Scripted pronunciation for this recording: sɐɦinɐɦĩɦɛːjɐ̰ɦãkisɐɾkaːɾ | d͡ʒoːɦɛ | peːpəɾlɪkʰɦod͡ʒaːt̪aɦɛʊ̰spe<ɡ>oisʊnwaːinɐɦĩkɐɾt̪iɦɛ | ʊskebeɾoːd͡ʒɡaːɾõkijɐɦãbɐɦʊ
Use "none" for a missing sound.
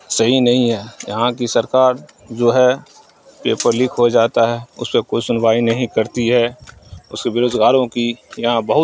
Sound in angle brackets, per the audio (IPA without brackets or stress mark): k